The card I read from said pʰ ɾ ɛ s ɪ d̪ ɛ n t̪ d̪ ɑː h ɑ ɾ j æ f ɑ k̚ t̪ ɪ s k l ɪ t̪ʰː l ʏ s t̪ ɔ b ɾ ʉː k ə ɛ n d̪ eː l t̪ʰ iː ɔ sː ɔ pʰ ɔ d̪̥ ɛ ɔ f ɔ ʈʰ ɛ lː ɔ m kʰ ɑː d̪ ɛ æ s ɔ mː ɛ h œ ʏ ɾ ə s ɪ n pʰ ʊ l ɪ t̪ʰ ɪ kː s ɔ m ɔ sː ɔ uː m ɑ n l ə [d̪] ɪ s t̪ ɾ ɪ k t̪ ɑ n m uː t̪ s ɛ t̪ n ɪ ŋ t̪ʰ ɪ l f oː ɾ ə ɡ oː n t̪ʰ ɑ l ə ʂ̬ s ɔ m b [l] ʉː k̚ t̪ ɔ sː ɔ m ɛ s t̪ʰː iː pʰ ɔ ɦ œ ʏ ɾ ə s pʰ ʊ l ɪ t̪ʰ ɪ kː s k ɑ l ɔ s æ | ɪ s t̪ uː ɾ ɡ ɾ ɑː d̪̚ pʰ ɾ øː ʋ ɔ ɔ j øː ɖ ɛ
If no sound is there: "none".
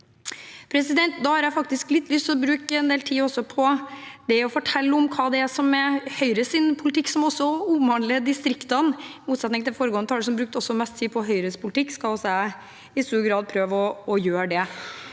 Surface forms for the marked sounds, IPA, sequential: d̪, ɾ

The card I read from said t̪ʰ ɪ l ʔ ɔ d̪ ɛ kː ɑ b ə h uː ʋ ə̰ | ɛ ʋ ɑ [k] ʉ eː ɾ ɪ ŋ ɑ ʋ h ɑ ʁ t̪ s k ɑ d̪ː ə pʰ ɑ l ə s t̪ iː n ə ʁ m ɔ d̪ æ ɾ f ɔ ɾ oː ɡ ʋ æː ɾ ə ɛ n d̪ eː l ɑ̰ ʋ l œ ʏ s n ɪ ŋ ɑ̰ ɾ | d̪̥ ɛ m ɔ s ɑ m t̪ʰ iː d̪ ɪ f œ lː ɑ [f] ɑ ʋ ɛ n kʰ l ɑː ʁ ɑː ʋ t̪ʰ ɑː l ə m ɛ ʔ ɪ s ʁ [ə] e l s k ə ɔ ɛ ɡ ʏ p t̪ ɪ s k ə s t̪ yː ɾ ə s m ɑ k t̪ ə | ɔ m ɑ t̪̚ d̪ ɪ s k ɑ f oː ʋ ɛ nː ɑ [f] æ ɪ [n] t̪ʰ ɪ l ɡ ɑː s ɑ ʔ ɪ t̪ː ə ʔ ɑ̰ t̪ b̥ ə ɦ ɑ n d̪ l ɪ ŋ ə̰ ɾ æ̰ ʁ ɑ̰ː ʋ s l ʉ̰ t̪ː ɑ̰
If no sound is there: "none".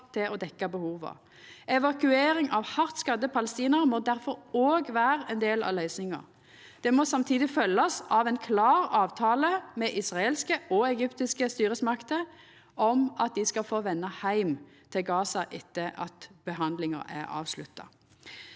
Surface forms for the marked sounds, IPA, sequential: k, s, ɑ, h, m

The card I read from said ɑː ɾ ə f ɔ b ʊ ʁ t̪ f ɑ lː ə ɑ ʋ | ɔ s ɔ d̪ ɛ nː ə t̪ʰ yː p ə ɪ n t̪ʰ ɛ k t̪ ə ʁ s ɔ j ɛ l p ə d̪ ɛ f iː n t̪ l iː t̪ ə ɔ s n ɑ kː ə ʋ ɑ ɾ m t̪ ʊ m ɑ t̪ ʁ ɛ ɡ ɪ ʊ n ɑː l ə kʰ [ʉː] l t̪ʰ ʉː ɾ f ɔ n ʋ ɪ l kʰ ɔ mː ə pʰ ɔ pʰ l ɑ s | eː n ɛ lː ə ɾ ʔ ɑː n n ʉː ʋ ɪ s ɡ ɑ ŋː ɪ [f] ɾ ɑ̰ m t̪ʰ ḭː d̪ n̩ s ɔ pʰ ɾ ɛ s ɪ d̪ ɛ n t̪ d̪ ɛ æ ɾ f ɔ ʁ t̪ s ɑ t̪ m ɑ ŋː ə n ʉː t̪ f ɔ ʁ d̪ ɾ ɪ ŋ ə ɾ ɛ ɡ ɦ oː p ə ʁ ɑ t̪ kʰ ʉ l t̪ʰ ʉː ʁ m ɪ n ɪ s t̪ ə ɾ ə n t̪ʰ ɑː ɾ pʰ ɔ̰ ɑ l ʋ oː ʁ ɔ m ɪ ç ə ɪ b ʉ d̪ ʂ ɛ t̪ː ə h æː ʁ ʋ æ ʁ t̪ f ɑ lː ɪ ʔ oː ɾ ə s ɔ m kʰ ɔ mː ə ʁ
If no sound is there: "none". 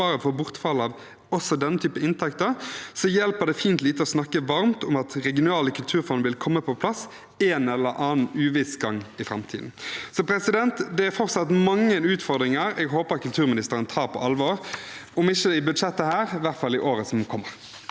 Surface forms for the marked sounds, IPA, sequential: ʉ, f

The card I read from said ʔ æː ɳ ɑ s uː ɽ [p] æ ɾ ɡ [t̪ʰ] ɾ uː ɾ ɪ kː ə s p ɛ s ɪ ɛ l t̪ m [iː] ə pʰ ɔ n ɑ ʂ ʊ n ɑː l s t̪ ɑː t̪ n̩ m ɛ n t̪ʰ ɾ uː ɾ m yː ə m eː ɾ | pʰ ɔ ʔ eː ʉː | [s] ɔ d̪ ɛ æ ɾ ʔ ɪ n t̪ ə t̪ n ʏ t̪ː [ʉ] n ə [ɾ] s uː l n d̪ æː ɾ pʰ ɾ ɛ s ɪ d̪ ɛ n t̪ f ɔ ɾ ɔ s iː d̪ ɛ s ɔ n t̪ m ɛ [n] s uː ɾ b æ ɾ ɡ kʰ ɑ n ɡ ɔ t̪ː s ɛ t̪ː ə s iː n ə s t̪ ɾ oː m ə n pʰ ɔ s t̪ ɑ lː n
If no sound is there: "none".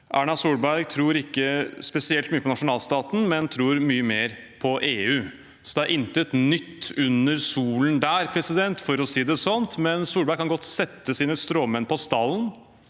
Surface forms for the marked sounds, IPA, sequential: b, t̪ʰ, yː, s, ʉ, ɾ, n

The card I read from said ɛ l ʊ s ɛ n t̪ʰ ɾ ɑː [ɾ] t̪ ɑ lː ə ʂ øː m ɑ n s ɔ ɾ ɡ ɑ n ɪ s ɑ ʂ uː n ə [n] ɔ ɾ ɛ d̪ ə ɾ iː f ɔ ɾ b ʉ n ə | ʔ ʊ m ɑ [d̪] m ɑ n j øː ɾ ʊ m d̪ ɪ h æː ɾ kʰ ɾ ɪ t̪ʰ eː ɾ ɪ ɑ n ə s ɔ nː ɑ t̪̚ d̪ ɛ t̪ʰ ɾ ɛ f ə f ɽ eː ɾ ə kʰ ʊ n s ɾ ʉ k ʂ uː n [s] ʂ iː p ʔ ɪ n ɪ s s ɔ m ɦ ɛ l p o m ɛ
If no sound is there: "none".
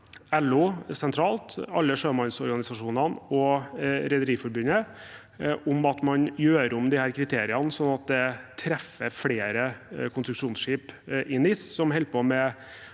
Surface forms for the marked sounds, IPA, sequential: l, n, t̪, s

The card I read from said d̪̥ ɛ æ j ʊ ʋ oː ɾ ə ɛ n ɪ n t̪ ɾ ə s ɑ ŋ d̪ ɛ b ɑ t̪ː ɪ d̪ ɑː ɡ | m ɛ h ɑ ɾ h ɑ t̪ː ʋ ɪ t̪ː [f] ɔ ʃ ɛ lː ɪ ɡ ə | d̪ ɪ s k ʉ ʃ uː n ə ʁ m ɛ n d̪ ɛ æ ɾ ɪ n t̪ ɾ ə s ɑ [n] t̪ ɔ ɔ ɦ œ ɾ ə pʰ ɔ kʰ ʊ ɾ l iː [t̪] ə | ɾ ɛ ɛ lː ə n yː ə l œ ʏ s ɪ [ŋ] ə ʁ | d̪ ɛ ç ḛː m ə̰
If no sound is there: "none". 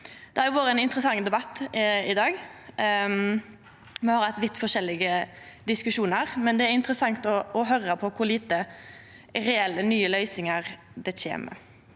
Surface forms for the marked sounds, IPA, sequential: f, ŋ, t̪, ŋ

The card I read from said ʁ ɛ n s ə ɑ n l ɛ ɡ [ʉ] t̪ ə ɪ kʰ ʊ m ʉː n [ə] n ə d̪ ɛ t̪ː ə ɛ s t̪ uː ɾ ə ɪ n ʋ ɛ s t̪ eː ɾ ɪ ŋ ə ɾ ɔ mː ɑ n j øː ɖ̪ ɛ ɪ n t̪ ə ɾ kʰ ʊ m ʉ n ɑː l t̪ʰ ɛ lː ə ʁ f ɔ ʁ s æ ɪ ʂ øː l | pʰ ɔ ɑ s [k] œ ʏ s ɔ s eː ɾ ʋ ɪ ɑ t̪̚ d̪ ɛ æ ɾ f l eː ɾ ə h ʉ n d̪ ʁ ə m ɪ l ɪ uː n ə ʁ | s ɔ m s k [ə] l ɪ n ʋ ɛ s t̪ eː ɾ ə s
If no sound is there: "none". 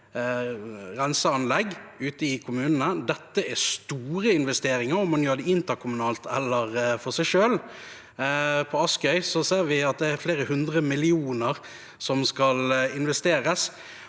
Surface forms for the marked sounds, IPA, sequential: ʉː, ə, k, ɑ

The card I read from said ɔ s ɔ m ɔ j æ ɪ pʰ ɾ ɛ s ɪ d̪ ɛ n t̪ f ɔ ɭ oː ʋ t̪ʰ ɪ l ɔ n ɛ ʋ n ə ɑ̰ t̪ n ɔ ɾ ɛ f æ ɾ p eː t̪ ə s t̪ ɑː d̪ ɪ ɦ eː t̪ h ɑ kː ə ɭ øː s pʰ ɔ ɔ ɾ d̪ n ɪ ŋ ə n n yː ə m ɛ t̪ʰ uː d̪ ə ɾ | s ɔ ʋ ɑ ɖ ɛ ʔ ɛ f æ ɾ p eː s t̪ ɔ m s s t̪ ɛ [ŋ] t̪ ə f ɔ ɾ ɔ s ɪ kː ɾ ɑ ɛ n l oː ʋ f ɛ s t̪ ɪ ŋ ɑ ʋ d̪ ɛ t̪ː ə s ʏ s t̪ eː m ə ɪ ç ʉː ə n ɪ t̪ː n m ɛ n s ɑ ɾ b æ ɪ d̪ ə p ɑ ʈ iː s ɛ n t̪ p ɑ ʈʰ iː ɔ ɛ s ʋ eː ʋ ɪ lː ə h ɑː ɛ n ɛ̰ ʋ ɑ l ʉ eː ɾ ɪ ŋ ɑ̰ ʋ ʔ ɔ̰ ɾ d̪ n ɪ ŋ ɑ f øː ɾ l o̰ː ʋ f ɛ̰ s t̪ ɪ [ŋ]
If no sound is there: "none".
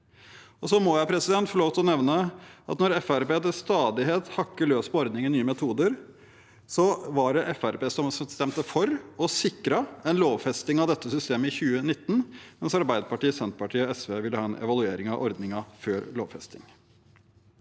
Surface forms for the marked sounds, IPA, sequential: m, ŋ

